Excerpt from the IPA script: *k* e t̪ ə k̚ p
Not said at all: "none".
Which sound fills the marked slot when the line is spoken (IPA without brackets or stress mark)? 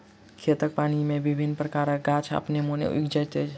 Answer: kʰ